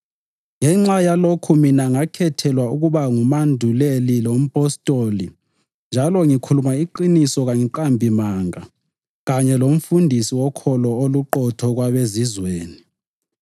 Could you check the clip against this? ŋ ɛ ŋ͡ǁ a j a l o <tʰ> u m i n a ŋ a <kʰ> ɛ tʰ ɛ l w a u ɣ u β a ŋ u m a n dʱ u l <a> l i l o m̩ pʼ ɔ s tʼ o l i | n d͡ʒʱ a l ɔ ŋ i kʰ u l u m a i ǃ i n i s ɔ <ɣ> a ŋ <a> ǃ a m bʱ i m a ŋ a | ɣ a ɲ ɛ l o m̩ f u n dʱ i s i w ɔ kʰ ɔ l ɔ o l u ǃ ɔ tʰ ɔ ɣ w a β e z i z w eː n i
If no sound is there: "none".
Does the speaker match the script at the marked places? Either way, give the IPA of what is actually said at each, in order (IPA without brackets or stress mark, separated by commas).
kʰ, kʰ, e, ɣ, i